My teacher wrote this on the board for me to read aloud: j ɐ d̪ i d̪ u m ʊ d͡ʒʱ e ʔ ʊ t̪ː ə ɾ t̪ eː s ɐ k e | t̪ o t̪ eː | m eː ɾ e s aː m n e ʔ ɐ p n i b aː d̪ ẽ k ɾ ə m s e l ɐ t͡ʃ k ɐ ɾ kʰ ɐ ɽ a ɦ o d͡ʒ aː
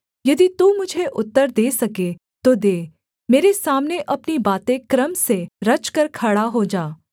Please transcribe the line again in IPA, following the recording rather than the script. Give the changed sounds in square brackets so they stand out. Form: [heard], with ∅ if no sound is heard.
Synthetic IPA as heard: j ɐ d̪ i [t̪] u m ʊ d͡ʒʱ e ʔ ʊ t̪ː ə ɾ [d̪] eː s ɐ k e | t̪ o [d̪] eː | m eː ɾ e s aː m n e ʔ ɐ p n i b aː [t̪] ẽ k ɾ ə m s e [ɾ] ɐ t͡ʃ k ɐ ɾ kʰ ɐ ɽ a ɦ o d͡ʒ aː